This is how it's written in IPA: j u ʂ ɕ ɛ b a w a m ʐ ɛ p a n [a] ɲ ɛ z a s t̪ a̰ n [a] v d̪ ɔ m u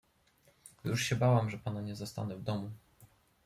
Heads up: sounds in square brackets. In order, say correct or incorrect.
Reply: correct, incorrect

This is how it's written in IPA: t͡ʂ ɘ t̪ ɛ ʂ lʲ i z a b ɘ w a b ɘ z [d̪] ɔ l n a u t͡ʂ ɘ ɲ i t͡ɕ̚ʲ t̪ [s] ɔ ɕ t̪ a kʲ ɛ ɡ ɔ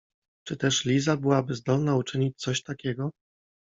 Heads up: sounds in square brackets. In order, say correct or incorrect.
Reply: correct, correct

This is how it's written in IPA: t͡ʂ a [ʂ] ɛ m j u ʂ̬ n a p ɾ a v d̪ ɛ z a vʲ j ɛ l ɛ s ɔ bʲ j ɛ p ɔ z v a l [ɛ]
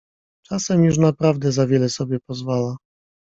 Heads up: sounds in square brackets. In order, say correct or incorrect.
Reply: incorrect, incorrect

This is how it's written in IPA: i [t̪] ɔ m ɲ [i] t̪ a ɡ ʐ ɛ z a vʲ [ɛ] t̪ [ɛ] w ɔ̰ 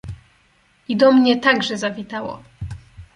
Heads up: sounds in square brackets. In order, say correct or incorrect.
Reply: incorrect, incorrect, incorrect, incorrect

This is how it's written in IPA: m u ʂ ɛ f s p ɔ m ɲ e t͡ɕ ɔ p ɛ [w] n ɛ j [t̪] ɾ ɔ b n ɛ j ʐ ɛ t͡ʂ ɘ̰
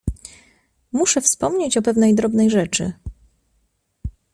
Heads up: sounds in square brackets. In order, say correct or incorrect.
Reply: incorrect, incorrect

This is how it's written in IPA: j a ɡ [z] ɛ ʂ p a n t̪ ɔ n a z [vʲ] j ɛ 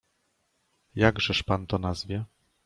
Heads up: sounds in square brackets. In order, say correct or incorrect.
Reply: incorrect, correct

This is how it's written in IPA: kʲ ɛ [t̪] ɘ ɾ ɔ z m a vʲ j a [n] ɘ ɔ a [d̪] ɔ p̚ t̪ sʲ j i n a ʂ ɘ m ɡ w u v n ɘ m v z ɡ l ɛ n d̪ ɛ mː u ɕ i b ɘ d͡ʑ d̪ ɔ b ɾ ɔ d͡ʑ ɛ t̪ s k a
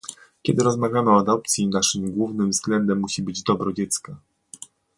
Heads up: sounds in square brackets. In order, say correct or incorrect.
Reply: incorrect, incorrect, correct

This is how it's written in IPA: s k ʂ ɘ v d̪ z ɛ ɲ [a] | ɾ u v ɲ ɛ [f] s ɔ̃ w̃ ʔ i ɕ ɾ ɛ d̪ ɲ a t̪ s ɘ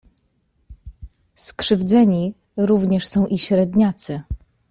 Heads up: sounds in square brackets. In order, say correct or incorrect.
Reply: incorrect, incorrect

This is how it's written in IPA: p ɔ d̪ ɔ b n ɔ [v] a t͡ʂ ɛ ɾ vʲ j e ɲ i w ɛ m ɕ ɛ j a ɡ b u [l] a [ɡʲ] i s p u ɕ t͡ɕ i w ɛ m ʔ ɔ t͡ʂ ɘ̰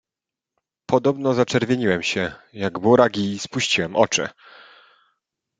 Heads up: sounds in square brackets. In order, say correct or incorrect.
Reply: incorrect, incorrect, correct

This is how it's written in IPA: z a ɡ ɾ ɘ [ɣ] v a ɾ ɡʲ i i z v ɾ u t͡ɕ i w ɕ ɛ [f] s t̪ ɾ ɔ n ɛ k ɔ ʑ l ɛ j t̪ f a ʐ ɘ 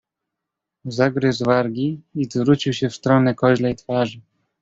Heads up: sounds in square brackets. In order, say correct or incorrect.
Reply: incorrect, correct

